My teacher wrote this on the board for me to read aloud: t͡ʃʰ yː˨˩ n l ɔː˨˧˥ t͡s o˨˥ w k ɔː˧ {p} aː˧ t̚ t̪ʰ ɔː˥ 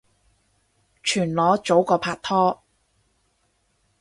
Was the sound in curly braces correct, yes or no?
no